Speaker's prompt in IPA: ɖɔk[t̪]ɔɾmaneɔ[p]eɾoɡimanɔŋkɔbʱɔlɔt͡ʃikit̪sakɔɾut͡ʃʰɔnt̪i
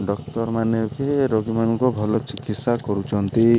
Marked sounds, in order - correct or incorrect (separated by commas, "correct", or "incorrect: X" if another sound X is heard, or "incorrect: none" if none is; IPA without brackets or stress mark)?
correct, incorrect: k